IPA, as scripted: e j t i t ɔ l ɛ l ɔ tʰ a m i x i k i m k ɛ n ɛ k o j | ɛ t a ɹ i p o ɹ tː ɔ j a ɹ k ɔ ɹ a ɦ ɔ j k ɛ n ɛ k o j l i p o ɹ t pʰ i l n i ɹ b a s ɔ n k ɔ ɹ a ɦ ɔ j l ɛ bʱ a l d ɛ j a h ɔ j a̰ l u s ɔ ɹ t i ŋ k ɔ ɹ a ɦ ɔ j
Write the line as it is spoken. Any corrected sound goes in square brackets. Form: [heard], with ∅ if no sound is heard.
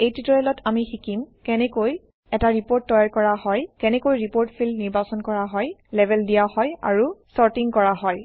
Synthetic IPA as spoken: e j t i t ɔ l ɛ l ɔ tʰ a m i x i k i m k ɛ n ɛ k o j | ɛ t a ɹ i p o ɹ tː ɔ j a ɹ k ɔ ɹ a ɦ ɔ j k ɛ n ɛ k o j [ɹ] i p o ɹ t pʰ i l n i ɹ b a s ɔ n k ɔ ɹ a ɦ ɔ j l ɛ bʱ [ɛ] l d [i] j a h ɔ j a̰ [ɹ] u s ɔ ɹ t i ŋ k ɔ ɹ a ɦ ɔ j